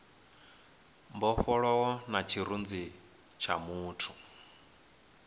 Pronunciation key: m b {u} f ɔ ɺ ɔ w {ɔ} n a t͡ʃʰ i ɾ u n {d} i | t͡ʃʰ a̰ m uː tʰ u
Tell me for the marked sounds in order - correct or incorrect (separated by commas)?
incorrect, correct, incorrect